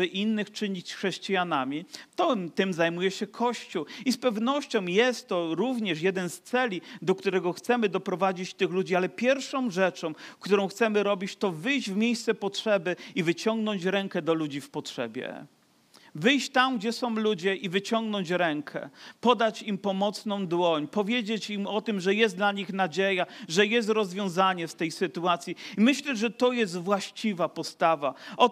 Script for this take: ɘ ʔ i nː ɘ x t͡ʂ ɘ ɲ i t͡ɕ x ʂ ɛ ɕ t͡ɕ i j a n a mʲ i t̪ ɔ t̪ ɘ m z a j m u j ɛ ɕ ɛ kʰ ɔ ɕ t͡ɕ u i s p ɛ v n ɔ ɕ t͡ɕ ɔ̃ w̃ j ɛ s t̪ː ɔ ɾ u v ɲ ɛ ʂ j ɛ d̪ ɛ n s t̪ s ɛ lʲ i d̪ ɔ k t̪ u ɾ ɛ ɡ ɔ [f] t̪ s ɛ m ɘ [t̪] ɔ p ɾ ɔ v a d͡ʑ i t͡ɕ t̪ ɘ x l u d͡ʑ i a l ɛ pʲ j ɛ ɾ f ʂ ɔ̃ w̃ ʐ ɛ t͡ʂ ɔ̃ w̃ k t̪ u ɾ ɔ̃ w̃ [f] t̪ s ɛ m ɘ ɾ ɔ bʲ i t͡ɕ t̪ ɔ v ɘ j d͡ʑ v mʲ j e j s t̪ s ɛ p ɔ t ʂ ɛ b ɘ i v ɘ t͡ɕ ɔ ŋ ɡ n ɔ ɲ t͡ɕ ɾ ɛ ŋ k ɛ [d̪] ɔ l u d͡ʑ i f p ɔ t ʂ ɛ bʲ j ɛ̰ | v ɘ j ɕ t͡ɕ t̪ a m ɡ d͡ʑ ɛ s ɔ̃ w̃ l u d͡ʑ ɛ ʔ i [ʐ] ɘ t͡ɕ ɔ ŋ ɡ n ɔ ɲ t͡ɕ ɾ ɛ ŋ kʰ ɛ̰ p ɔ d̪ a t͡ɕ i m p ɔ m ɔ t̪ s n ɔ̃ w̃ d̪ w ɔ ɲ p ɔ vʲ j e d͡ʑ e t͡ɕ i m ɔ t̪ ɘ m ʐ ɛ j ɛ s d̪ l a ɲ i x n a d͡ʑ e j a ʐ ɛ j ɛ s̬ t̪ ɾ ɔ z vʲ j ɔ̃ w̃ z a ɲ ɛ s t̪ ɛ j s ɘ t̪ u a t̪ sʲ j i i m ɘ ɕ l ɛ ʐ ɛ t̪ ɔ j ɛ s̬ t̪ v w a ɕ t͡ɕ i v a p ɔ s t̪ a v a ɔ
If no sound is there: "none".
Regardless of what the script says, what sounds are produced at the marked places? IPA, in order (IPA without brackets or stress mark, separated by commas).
x, d̪, x, d̪, v